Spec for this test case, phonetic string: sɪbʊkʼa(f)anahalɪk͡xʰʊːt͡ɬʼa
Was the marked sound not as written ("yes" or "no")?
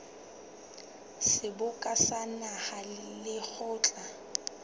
yes